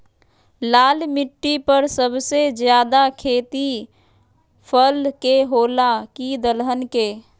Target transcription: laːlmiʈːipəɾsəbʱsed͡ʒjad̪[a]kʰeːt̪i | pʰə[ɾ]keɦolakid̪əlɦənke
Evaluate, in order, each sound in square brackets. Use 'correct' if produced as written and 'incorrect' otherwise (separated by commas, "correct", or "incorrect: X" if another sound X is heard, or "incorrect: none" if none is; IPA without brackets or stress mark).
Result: correct, incorrect: l